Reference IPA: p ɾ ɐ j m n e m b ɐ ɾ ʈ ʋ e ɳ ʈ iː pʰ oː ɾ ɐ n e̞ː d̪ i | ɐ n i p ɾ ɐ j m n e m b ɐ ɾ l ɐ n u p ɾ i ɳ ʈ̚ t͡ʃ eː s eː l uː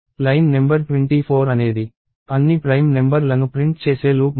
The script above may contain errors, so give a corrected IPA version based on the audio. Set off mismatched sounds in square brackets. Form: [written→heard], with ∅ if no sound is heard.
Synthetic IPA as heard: p ɾ ɐ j m n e m b ɐ ɾ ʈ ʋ e ɳ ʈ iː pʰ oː ɾ ɐ n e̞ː d̪ i | ɐ [n→nː] i p ɾ ɐ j m n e m b ɐ ɾ l ɐ n u p ɾ i ɳ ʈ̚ t͡ʃ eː s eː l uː